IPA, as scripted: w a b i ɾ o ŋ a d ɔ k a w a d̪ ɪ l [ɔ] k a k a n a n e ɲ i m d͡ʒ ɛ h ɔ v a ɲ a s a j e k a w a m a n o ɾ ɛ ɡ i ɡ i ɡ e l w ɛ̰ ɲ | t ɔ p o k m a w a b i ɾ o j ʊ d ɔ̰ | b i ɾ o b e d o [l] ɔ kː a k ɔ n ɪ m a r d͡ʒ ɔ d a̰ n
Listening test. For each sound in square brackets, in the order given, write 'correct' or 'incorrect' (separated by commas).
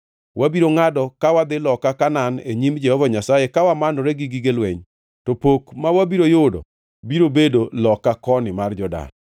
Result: correct, correct